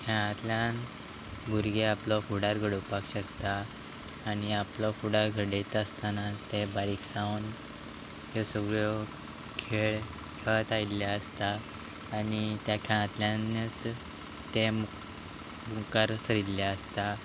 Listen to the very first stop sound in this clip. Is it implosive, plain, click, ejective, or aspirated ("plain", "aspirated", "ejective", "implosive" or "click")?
aspirated